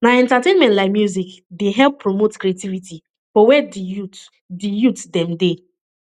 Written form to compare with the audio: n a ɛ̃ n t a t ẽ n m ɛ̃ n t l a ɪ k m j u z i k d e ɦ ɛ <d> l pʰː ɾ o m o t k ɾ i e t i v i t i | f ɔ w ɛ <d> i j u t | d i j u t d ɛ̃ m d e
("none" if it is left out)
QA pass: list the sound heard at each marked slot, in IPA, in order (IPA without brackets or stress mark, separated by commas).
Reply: none, d